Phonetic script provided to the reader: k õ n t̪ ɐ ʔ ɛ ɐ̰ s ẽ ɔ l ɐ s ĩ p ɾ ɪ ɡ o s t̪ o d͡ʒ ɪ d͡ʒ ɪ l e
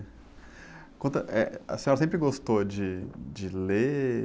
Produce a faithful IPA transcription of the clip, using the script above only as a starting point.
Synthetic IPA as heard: k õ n t̪ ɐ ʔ ɛ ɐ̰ s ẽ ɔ ɾ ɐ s ẽ p ɾ ɪ ɡ o s t̪ o d͡ʒ ɪ d͡ʒ ɪ l e